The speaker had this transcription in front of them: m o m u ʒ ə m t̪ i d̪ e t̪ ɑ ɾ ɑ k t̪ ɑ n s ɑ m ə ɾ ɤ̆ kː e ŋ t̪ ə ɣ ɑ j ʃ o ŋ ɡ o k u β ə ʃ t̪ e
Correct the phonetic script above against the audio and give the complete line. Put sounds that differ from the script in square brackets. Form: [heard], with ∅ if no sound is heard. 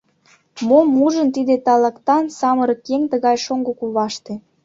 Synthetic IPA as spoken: m o m u ʒ ə [n] t̪ i d̪ e t̪ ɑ [l] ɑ k t̪ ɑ n s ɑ m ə ɾ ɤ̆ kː e ŋ t̪ ə ɣ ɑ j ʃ o ŋ ɡ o k u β [ɑ] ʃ t̪ e